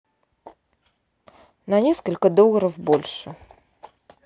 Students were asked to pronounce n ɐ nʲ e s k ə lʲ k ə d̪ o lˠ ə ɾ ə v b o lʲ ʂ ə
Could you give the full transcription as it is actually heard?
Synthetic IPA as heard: n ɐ nʲ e s k ə lʲ k ə d̪ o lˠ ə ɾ ə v b o lʲ ʂ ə